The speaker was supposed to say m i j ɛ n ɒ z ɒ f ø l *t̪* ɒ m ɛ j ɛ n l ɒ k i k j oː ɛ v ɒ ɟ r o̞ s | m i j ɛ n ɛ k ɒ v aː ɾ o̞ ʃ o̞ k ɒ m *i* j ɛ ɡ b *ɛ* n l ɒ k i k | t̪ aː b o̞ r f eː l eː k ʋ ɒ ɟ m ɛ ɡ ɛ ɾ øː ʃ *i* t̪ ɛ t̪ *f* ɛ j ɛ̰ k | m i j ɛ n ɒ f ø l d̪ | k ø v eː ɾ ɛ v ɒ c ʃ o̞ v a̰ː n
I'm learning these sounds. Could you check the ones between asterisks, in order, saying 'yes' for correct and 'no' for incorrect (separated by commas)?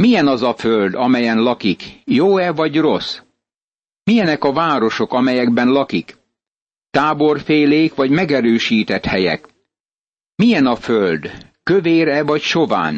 no, no, yes, no, no